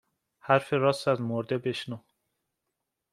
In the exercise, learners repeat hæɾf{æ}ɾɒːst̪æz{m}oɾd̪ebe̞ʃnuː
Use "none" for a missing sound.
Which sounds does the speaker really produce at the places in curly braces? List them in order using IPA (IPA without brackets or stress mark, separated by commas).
e, m